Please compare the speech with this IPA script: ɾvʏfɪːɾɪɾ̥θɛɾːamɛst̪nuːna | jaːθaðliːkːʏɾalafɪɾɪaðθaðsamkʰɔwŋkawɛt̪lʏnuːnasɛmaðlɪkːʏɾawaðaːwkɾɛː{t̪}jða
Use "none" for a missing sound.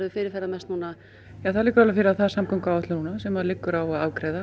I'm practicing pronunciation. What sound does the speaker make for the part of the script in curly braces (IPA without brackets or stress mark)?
none